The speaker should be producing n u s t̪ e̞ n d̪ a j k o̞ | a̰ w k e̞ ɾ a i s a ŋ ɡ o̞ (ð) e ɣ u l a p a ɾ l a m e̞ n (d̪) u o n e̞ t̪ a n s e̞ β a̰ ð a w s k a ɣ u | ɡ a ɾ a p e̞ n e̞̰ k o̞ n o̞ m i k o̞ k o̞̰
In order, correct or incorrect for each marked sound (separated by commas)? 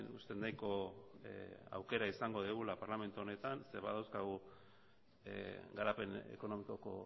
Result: correct, incorrect